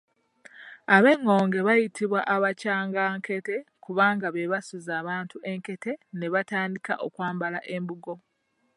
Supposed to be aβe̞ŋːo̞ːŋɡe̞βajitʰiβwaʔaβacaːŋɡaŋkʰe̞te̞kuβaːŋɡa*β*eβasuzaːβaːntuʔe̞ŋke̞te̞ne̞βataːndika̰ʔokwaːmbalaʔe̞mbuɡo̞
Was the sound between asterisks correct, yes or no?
yes